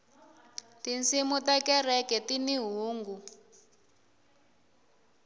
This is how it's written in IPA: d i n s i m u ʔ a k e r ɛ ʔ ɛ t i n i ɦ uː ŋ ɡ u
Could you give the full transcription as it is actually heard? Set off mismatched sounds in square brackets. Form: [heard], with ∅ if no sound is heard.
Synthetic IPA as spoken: [t] i n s i m u [t] a k [ɛ] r ɛ [k] ɛ t i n i ɦ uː ŋ ɡ u